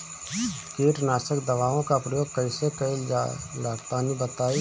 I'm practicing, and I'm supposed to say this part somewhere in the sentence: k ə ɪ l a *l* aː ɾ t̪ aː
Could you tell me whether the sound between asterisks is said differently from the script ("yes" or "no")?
no